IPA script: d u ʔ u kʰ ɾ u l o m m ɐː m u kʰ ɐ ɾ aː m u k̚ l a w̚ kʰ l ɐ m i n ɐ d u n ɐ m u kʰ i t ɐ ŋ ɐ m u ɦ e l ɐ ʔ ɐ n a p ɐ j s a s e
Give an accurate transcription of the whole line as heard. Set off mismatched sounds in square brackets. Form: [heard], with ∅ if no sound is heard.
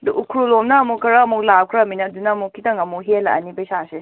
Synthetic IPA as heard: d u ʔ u kʰ ɾ u l o m [n] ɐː m u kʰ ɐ ɾ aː m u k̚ l a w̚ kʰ [ɾ] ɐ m i n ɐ d u n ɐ m u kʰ i t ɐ ŋ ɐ m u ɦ e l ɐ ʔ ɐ n [i] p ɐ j s a s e